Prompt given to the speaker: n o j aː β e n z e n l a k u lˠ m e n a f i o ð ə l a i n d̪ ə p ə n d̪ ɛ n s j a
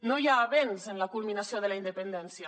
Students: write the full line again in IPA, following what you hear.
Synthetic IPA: n o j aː β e n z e n l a k u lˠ m i n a s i o ð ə l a i n d̪ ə p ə n d̪ ɛ n s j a